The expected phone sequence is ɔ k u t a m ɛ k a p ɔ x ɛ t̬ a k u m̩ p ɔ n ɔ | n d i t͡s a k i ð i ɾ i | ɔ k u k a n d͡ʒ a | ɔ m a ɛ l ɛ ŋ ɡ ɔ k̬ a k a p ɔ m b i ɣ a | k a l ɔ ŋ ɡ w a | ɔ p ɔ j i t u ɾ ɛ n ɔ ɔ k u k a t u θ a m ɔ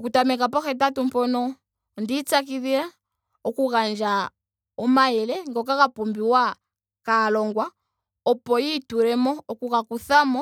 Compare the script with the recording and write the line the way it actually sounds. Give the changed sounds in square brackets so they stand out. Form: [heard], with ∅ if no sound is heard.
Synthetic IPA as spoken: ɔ k u t a m ɛ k a p ɔ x ɛ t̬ a [t] u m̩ p ɔ n ɔ | n d i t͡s a k i ð i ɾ [a] | ɔ k u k a n d͡ʒ a | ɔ m a ɛ l ɛ ŋ ɡ ɔ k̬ a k a p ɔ m b i [w] a | k a l ɔ ŋ ɡ w a | ɔ p ɔ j i t u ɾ ɛ [m] ɔ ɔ k u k a [k] u θ a m ɔ